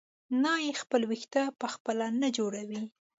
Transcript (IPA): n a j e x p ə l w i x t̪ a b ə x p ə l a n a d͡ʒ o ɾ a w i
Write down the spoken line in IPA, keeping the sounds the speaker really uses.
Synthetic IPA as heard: n ɑ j e x p ə l w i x t̪ a p ə x p ə l a n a d͡ʒ o ɽ a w i